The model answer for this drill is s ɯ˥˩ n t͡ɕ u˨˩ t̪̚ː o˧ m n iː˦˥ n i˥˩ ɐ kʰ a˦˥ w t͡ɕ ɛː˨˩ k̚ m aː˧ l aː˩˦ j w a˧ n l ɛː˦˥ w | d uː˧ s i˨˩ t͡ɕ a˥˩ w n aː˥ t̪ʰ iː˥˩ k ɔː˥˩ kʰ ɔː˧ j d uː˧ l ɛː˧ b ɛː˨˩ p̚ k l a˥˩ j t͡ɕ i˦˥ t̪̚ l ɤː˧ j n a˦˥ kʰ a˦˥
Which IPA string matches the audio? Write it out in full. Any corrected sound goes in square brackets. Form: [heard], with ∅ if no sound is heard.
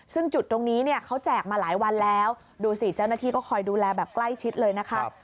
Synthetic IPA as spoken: s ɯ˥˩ [ŋ] t͡ɕ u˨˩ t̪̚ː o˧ [ŋ] n iː˦˥ n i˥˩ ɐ kʰ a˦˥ w t͡ɕ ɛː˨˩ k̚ m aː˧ l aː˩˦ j w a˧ n l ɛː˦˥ w | d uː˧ s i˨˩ t͡ɕ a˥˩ w n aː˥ t̪ʰ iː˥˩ k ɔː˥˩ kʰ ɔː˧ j d uː˧ l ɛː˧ b ɛː˨˩ p̚ k l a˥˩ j [t͡ɕʰ] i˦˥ t̪̚ l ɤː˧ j n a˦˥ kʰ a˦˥